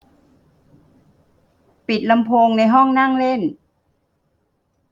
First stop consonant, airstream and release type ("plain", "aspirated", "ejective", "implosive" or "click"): plain